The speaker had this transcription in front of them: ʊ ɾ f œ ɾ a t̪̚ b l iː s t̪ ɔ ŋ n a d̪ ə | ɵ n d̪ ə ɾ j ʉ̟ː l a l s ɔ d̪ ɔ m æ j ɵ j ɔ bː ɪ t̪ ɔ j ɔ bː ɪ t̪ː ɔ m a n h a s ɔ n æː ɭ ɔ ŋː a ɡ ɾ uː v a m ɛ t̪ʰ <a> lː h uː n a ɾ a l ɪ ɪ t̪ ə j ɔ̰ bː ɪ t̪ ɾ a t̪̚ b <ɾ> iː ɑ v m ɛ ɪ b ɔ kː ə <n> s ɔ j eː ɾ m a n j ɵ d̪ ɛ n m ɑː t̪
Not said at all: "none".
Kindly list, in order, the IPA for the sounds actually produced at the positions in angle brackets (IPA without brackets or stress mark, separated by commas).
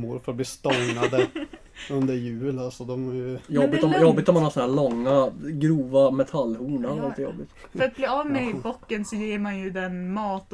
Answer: a, l, n